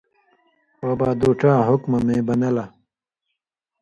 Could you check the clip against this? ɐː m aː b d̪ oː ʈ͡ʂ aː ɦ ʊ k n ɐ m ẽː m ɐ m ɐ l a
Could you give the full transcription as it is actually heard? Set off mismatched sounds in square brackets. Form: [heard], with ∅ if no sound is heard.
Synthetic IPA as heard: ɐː [b] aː [∅] d̪ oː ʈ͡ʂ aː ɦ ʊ k [m] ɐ m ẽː [b] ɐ [n] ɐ l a